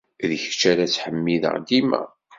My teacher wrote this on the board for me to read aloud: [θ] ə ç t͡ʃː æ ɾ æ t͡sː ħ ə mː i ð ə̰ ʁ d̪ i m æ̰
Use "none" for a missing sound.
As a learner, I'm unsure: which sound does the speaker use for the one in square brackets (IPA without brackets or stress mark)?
ð